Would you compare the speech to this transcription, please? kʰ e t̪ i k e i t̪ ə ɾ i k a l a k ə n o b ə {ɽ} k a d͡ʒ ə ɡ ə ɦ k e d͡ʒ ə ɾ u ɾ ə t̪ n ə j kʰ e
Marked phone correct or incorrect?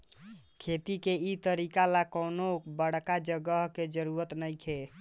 correct